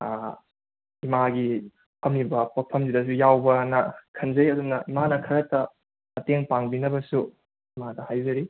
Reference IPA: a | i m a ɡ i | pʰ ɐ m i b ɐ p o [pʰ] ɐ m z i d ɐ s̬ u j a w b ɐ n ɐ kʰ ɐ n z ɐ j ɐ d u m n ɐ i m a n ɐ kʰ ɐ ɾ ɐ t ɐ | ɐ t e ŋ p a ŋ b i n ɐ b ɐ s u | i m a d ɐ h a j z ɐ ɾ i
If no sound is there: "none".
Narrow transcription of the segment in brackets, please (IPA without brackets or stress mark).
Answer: pʰ